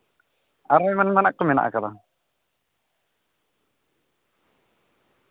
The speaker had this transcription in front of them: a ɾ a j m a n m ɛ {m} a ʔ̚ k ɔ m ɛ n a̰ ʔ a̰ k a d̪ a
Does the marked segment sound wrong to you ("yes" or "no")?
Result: yes